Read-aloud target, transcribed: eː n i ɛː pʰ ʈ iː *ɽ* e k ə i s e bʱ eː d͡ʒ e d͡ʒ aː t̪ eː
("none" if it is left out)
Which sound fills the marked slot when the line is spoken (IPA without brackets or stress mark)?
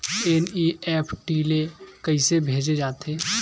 l